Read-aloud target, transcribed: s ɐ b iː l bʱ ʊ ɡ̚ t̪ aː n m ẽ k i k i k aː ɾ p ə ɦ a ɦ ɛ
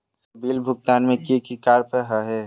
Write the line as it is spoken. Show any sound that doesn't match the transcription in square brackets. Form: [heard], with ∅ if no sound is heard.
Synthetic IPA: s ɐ b iː l bʱ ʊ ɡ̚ t̪ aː n m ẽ k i k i k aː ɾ p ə ɦ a ɦ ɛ